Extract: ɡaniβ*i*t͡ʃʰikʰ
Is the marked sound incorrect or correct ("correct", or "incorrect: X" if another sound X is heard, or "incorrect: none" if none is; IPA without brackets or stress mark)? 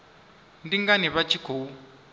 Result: incorrect: a